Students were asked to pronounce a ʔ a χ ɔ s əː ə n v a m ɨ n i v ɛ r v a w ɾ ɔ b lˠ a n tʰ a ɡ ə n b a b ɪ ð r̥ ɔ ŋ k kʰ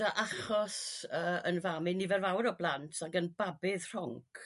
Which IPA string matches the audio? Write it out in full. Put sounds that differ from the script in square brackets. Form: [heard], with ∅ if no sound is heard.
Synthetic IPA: a ʔ a χ ɔ s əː ə n v a m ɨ n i v ɛ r v a w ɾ ɔ b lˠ a n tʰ a ɡ ə n b a b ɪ ð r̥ ɔ ŋ k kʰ